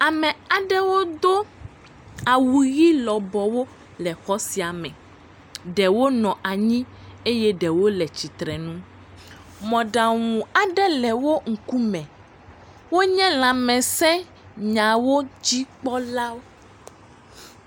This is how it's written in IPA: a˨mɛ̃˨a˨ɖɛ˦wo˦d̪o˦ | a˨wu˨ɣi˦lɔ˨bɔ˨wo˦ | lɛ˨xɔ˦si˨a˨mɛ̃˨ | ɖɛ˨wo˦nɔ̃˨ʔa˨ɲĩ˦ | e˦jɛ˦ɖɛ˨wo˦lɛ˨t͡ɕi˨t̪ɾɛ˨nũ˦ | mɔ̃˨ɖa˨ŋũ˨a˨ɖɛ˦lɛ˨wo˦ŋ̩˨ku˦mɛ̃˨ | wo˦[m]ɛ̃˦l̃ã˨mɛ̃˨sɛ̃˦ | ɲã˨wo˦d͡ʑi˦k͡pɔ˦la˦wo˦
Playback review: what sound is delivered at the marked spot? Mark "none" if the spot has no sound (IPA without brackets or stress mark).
ɲ